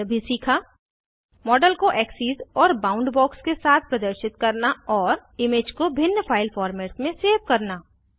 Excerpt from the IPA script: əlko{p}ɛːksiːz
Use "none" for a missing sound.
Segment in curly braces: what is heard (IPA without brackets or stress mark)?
ʔ